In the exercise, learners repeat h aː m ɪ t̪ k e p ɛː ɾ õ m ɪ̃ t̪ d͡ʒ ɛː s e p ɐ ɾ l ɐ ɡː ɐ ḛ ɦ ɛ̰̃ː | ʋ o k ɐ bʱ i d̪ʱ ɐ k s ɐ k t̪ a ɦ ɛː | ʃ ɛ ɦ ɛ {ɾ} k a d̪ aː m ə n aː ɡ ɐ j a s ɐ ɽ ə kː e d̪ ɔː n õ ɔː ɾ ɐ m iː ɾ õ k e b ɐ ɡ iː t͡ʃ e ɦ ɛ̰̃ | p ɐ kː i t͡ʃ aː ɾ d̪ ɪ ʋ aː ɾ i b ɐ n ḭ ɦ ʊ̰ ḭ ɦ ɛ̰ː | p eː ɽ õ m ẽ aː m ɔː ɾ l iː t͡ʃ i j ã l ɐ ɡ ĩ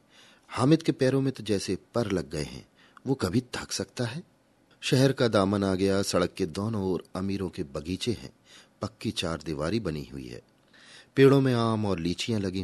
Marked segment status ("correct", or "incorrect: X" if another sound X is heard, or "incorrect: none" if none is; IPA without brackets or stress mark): correct